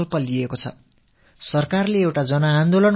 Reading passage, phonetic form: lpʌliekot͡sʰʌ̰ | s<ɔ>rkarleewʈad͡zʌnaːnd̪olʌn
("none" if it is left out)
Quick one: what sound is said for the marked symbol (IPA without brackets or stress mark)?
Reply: ʌ